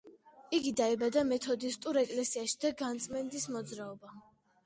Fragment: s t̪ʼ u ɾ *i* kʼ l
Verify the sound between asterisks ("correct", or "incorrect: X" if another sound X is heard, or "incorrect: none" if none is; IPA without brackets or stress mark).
incorrect: ɛ